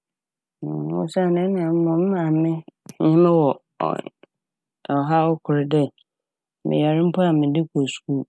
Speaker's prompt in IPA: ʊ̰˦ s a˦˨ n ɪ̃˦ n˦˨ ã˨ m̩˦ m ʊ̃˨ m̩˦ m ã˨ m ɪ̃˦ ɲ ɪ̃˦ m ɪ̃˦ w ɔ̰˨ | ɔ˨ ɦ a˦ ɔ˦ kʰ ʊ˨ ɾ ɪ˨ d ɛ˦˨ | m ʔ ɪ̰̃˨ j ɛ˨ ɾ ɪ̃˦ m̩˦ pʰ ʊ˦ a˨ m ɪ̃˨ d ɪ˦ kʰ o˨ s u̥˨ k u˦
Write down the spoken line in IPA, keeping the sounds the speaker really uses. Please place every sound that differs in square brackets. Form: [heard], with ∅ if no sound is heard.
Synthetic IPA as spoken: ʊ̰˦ s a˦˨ n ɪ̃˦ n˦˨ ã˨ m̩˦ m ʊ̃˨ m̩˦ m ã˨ m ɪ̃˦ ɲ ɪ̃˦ m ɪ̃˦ w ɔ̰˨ | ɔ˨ ɦ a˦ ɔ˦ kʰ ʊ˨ ɾ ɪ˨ d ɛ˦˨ | m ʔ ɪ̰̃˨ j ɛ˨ ɾ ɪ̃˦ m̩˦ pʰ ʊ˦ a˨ m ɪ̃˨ d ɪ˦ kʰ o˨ s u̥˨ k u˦